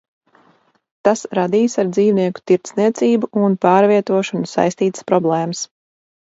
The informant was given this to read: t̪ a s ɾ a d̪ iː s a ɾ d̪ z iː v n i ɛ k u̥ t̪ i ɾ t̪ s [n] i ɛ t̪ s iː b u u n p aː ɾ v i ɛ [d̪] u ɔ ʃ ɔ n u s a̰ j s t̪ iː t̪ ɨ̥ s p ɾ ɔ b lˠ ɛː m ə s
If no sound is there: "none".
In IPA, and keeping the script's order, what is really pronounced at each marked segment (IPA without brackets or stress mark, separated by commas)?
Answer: n, t̪